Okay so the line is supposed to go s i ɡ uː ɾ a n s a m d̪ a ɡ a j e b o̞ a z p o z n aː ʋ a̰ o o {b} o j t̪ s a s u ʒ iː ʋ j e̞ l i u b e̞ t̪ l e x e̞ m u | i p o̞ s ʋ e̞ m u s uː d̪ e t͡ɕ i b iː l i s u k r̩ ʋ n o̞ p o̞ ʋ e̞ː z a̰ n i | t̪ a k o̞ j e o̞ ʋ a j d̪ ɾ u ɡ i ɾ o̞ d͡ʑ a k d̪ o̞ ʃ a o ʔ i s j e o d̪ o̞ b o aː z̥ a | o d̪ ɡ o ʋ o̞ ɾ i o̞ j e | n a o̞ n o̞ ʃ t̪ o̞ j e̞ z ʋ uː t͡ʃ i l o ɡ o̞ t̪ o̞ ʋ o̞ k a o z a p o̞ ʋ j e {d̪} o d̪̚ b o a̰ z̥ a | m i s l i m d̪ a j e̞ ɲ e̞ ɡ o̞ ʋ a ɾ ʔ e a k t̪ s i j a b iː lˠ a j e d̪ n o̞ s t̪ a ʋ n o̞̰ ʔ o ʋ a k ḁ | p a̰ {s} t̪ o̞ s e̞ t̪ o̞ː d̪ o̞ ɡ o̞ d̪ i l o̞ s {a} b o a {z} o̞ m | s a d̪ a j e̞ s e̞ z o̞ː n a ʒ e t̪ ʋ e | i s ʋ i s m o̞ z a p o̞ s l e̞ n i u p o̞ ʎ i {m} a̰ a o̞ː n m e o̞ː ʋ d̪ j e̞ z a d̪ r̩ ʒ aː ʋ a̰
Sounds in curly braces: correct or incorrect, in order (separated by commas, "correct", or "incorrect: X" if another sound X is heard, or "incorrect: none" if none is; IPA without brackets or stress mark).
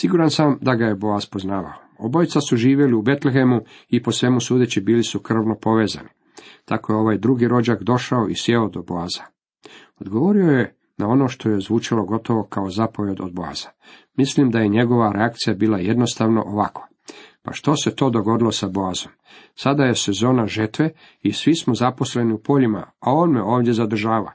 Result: correct, correct, incorrect: ʃ, correct, correct, correct